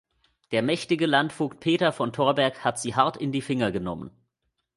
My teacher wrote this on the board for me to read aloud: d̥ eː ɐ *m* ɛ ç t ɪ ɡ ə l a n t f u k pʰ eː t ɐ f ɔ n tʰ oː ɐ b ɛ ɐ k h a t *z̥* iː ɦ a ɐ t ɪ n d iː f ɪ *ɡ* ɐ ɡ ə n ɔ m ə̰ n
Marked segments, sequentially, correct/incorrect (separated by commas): correct, correct, incorrect